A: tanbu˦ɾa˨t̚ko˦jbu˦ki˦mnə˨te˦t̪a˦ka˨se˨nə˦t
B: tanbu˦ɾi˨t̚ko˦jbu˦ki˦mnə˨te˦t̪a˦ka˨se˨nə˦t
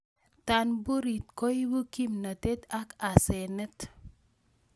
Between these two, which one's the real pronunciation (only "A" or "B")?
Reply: B